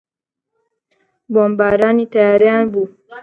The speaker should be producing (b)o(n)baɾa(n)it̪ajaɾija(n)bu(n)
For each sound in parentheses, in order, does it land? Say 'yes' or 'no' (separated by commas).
yes, no, yes, yes, no